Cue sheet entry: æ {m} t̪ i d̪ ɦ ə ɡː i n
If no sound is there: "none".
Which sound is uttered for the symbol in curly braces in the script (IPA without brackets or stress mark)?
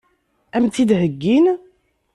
m